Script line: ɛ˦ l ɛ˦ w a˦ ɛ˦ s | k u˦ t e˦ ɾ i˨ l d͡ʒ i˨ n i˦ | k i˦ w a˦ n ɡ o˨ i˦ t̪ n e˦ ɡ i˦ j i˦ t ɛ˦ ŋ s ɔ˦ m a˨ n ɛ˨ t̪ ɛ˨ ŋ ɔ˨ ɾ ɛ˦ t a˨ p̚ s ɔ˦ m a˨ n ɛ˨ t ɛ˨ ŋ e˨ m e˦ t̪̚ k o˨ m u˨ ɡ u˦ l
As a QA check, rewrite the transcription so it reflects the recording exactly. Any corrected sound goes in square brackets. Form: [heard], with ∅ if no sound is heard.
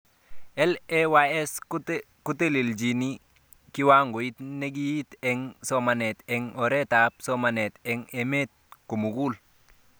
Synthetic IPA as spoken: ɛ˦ l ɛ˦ w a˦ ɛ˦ s | k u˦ t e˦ [l] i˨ l d͡ʒ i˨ n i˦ | k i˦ w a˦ [ŋ] ɡ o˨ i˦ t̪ n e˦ ɡ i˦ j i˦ t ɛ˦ ŋ s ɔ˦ m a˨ n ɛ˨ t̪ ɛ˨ ŋ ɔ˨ ɾ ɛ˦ t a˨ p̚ s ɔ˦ m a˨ n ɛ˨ t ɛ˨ ŋ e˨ m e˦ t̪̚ k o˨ m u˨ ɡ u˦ l